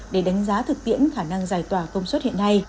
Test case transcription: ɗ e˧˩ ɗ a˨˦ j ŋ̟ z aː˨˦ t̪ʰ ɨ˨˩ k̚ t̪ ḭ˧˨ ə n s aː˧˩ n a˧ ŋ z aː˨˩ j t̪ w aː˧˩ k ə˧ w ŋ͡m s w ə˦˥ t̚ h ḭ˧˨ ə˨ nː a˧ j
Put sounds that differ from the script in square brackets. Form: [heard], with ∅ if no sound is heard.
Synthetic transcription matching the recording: ɗ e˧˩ ɗ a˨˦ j ŋ̟ z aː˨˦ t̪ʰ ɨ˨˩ k̚ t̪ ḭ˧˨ ə n [x] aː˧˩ n a˧ ŋ z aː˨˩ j t̪ w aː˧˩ k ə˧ w ŋ͡m s w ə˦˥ t̚ h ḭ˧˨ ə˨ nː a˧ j